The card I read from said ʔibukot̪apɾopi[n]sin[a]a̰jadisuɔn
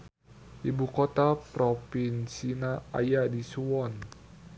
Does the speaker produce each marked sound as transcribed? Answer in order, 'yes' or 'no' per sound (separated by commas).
yes, yes